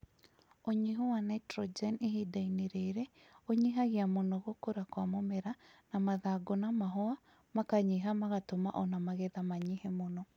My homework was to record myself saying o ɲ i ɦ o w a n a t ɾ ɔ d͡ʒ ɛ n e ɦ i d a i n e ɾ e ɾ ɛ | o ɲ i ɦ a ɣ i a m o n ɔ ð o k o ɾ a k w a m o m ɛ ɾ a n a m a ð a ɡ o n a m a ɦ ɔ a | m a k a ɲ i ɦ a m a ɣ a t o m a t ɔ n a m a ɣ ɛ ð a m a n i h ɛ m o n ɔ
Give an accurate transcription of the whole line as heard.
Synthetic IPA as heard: o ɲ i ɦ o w a n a t ɾ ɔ d͡ʒ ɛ n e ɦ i d a i n e ɾ e ɾ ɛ | o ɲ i ɦ a ɣ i a m o n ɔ ɣ o k o ɾ a k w a m o m ɛ ɾ a n a m a ð a ɡ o n a m a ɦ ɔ a | m a k a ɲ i ɦ a m a ɣ a t o m a ʔ ɔ n a m a ɣ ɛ ð a m a ɲ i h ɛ m o n ɔ